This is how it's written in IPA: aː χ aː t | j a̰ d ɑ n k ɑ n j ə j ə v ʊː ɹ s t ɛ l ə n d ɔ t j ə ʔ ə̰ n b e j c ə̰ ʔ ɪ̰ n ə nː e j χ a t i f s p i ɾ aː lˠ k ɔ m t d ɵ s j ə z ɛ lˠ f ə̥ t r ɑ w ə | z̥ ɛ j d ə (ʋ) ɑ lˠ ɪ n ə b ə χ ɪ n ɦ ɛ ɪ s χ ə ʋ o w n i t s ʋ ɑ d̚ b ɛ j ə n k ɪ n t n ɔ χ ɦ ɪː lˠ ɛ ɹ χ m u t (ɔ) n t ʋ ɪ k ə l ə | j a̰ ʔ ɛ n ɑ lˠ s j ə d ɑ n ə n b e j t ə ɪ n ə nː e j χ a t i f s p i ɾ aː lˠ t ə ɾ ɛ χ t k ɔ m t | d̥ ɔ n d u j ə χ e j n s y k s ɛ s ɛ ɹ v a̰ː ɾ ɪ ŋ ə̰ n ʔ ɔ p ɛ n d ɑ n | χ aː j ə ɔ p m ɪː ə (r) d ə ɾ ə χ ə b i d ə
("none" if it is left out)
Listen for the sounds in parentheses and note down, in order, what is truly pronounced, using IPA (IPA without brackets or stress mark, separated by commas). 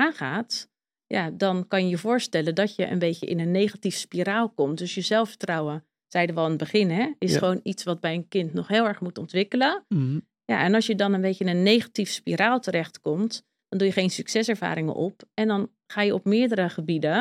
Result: ʋ, ɔ, ɹ